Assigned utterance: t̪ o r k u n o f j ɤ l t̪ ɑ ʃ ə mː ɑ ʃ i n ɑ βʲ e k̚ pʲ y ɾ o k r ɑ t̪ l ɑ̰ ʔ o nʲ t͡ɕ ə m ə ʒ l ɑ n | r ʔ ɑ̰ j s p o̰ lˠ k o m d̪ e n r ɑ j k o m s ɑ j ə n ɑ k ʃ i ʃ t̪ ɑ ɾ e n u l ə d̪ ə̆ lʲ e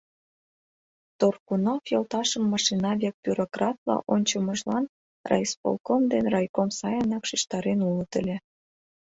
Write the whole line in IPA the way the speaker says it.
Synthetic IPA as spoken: t̪ o r k u n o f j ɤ l t̪ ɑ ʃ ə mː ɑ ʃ i n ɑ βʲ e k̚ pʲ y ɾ o k r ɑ t̪ l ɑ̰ ʔ o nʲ t͡ɕ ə m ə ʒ l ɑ n | r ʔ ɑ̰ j s p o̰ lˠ k o m d̪ e n r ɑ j k o m s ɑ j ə n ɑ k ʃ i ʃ t̪ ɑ ɾ e n u l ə t̪ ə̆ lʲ e